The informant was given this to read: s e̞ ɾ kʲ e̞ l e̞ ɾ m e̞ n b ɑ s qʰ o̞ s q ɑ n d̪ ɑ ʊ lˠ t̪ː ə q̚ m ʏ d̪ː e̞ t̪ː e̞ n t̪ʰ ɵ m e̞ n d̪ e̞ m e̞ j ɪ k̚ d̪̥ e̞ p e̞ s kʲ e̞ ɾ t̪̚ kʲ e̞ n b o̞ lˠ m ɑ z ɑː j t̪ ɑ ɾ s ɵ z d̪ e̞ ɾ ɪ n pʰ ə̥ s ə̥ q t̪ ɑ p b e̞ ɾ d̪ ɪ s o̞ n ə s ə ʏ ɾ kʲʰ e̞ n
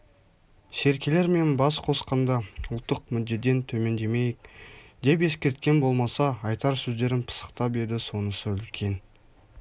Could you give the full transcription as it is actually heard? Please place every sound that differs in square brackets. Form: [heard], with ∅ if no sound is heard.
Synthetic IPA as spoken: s e̞ ɾ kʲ e̞ l e̞ ɾ m e̞ n b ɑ s qʰ o̞ s q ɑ n d̪ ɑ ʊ lˠ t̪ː ə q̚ m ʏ d̪ː e̞ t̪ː e̞ n t̪ʰ ɵ m e̞ n d̪ e̞ m e̞ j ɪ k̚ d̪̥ e̞ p e̞ s kʲ e̞ ɾ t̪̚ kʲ e̞ n b o̞ lˠ m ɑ [s] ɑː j t̪ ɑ ɾ s ɵ z d̪ e̞ ɾ ɪ n pʰ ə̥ s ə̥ q t̪ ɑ p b e̞ ɾ d̪ ɪ s o̞ n ə s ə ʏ [l] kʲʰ e̞ n

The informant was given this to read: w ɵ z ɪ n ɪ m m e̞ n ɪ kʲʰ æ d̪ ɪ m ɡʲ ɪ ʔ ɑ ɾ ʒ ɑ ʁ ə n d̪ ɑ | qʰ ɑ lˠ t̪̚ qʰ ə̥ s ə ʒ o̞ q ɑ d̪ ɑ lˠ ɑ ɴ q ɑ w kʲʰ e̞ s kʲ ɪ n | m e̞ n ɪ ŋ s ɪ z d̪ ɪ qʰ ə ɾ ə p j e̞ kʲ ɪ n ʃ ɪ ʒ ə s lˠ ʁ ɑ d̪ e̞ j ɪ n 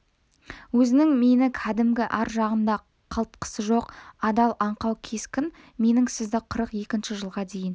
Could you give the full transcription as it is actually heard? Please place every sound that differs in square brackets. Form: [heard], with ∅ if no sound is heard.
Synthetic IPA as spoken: w ɵ z ɪ n ɪ [ŋ] m e̞ n ɪ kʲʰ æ d̪ ɪ m ɡʲ ɪ ʔ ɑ ɾ ʒ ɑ ʁ ə n d̪ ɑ | qʰ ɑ lˠ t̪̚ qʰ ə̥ s ə ʒ o̞ q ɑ d̪ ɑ lˠ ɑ ɴ q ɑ w kʲʰ e̞ s kʲ ɪ n | m e̞ n ɪ ŋ s ɪ z d̪ ɪ qʰ ə ɾ ə [q] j e̞ kʲ ɪ n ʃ ɪ ʒ ə [∅] lˠ ʁ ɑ d̪ e̞ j ɪ n

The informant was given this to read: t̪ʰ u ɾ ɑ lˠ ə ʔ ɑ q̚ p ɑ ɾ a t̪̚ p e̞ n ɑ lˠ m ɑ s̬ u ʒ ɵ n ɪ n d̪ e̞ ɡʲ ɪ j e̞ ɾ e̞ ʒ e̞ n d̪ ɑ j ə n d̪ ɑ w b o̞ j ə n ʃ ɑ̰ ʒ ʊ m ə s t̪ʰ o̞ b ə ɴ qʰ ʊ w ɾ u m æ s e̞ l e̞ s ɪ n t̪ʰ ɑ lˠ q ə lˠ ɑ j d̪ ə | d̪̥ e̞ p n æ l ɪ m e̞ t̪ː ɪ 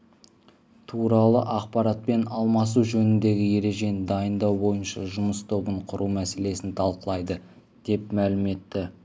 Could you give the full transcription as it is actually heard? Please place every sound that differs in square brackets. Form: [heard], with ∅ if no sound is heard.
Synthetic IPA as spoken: t̪ʰ u ɾ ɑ lˠ ə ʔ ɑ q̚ p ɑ ɾ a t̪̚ p e̞ n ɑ lˠ m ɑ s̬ u ʒ ɵ n ɪ n d̪ e̞ ɡʲ ɪ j e̞ ɾ e̞ ʒ e̞ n d̪ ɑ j ə n d̪ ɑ w b o̞ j ə n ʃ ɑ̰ ʒ ʊ m ə s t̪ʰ o̞ b ə ɴ qʰ ʊ [∅] ɾ u m æ s e̞ l e̞ s ɪ n t̪ʰ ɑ lˠ q ə lˠ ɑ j d̪ ə | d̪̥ e̞ p [m] æ l ɪ m e̞ t̪ː ɪ

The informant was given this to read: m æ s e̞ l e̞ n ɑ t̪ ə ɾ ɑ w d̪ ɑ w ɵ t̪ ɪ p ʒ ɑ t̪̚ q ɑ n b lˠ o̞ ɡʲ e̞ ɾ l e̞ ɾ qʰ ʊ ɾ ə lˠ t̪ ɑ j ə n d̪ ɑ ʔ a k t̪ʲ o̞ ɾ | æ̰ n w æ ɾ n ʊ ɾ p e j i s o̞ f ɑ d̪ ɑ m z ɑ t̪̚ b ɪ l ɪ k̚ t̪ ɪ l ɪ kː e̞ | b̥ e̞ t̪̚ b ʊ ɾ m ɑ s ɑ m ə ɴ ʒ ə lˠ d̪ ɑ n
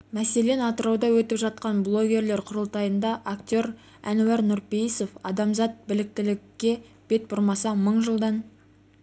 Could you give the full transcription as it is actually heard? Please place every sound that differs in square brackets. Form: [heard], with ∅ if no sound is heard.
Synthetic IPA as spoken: m æ s e̞ l e̞ n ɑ t̪ ə ɾ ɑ w d̪ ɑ w ɵ t̪ ɪ p ʒ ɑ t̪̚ q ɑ n b lˠ o̞ ɡʲ e̞ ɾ l e̞ ɾ qʰ ʊ ɾ ə lˠ t̪ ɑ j ə n d̪ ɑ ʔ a k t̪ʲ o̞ ɾ | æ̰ n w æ ɾ n ʊ ɾ p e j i s o̞ f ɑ d̪ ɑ m z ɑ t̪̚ b ɪ l ɪ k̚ t̪ ɪ l ɪ kː e̞ | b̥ e̞ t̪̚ b ʊ ɾ m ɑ s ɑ m ə ɴ ʒ ə lˠ d̪ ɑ n

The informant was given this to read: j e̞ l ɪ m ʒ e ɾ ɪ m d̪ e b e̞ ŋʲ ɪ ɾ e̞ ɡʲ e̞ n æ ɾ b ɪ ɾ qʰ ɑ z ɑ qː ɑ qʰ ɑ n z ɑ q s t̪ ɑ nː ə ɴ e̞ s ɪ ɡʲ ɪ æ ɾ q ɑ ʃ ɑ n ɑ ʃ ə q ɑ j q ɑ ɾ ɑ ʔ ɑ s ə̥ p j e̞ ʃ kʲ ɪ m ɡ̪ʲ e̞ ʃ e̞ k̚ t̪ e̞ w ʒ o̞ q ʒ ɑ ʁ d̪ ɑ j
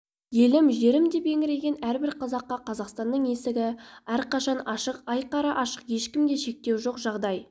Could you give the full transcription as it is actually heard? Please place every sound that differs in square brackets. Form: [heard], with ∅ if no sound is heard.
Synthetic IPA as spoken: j e̞ l ɪ m ʒ e ɾ ɪ m d̪ e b e̞ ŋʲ ɪ ɾ e̞ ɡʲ e̞ n æ ɾ b ɪ ɾ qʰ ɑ z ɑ qː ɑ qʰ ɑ [∅] z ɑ q s t̪ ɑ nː ə ɴ e̞ s ɪ ɡʲ ɪ æ ɾ q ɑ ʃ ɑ n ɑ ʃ ə q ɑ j q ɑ ɾ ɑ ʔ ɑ [ʃ] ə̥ [q] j e̞ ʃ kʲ ɪ m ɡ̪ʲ e̞ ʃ e̞ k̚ t̪ e̞ w ʒ o̞ q ʒ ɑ ʁ d̪ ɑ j

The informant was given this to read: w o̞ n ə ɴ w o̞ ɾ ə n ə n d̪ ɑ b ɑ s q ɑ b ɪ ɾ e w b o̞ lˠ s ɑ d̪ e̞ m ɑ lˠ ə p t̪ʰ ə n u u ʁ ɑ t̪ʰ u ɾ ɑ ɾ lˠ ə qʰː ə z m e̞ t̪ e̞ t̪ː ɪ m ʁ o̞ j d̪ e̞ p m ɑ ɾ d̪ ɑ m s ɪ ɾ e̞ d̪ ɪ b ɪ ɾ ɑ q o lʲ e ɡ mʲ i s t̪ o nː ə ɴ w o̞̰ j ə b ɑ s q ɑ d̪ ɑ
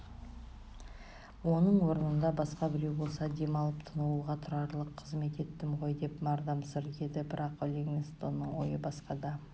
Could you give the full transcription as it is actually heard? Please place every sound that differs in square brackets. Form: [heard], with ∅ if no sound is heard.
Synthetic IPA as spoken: w o̞ n ə ɴ w o̞ ɾ ə n ə n d̪ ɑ b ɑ s q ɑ b ɪ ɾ e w b o̞ lˠ s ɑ d̪ e̞ m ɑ lˠ ə p t̪ʰ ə n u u ʁ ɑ t̪ʰ [ʊ] ɾ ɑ ɾ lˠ ə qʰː ə z m e̞ t̪ e̞ t̪ː ɪ m ʁ o̞ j d̪ e̞ p m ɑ ɾ d̪ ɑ m s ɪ ɾ e̞ d̪ ɪ b ɪ ɾ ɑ q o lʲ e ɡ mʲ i s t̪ o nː ə ɴ w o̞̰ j ə b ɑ s q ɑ d̪ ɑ

